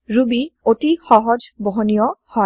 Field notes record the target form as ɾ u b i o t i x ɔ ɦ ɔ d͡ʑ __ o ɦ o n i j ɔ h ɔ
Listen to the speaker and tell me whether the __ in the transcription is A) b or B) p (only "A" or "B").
A